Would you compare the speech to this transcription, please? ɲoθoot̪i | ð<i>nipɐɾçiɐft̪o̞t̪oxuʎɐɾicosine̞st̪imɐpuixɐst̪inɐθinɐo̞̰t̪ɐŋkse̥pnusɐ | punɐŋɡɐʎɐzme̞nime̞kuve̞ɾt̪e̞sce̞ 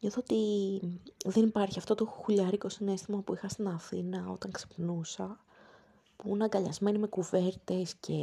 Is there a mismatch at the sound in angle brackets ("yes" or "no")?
yes